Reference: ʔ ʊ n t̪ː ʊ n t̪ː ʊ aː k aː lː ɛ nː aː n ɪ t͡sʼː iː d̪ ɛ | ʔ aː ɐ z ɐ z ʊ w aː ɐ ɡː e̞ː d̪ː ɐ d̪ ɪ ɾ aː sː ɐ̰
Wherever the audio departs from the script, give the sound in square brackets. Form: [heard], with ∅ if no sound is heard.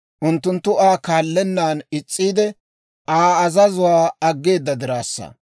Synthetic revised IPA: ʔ ʊ n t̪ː ʊ n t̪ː ʊ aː k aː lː ɛ nː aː n ɪ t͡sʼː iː d̪ ɛ | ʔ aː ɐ z ɐ z ʊ w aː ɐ ɡː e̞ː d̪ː ɐ d̪ ɪ ɾ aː sː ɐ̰